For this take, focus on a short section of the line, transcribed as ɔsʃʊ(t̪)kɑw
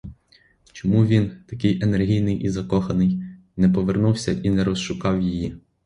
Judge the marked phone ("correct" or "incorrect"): incorrect